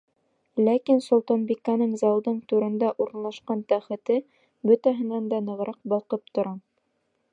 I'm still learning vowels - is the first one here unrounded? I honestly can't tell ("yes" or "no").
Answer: yes